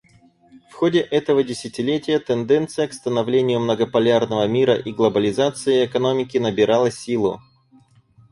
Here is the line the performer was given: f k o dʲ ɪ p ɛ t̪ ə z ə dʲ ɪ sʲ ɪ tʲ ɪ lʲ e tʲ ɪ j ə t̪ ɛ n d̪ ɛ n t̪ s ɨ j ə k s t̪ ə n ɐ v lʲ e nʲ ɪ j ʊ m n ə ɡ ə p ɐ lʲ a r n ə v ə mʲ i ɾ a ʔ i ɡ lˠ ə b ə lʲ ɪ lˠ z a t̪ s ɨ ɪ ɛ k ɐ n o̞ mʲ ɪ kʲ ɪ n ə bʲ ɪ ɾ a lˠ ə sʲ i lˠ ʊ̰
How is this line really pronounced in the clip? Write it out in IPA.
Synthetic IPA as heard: f x o dʲ ɪ ʔ ɛ t̪ ə v ə dʲ ɪ sʲ ɪ tʲ ɪ lʲ e tʲ ɪ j ə t̪ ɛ n d̪ ɛ n t̪ s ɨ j ə k s t̪ ə n ɐ v lʲ e nʲ ɪ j ʊ m n ə ɡ ə p ɐ lʲ a r n ə v ə mʲ i ɾ ə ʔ i ɡ lˠ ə b ə lʲ ɪ z a t̪ s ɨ ɪ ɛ k ɐ n o̞ mʲ ɪ kʲ ɪ n ə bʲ ɪ ɾ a lˠ ə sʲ i lˠ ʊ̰